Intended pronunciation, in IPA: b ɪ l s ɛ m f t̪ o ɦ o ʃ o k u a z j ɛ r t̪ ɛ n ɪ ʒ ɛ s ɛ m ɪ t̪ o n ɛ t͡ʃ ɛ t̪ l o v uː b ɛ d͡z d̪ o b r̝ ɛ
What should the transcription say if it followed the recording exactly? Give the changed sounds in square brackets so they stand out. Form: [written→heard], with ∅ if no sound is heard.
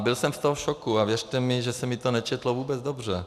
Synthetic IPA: b ɪ l s ɛ m f t̪ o ɦ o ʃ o k u a [z→v] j ɛ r t̪ ɛ [n→m] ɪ ʒ ɛ s ɛ m ɪ t̪ o n ɛ t͡ʃ ɛ t̪ l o v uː b ɛ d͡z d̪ o b r̝ ɛ